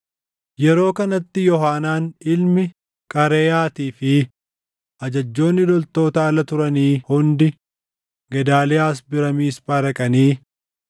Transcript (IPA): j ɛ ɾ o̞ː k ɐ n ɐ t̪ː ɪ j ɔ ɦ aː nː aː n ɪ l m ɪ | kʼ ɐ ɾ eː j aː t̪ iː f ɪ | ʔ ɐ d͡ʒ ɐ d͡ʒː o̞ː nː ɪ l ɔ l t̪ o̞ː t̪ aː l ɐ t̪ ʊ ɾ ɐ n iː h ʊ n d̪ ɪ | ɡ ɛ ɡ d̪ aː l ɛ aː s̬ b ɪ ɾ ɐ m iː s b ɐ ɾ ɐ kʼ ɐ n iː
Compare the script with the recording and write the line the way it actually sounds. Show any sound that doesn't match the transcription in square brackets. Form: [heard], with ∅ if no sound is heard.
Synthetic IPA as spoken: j ɛ ɾ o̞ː k ɐ n ɐ t̪ː ɪ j ɔ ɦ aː [n] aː n ɪ l m ɪ | kʼ ɐ ɾ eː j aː t̪ iː f ɪ | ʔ ɐ d͡ʒ ɐ d͡ʒː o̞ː nː ɪ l ɔ l t̪ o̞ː t̪ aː l ɐ t̪ ʊ ɾ ɐ n iː h ʊ n d̪ ɪ | ɡ ɛ [∅] d̪ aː l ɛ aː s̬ b ɪ ɾ ɐ m iː s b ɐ ɾ ɐ kʼ ɐ n iː